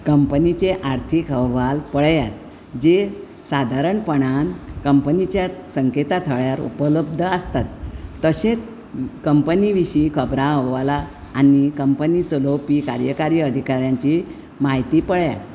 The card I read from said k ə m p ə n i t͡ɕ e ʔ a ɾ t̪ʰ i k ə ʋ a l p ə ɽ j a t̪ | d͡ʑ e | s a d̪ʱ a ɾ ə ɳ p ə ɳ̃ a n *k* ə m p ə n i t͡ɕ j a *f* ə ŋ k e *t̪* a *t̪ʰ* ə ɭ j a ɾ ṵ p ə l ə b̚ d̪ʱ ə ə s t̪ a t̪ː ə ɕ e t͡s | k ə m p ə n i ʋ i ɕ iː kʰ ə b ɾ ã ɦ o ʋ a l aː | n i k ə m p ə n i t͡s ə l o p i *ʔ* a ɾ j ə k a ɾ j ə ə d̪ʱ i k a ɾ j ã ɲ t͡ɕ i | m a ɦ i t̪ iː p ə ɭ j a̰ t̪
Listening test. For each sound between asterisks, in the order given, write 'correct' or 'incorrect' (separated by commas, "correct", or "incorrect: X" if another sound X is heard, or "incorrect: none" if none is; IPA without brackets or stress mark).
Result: correct, incorrect: s, correct, correct, incorrect: k